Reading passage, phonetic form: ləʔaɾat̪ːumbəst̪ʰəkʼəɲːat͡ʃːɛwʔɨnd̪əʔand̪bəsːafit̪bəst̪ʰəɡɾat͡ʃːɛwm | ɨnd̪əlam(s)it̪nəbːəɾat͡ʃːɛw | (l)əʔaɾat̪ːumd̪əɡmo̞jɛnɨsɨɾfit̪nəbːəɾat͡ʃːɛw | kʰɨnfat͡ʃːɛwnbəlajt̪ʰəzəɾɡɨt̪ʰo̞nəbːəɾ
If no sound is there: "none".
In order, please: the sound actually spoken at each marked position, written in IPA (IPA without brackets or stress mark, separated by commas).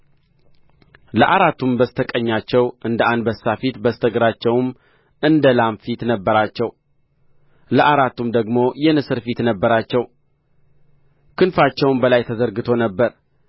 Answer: f, l